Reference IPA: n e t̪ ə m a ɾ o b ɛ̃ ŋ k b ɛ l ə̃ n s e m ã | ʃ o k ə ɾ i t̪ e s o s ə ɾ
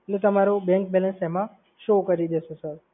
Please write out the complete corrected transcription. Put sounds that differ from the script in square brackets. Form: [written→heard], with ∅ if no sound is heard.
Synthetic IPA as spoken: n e t̪ ə m a ɾ o b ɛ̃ ŋ k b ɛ l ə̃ n s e m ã | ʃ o k ə ɾ i [t̪→d̪] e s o s ə ɾ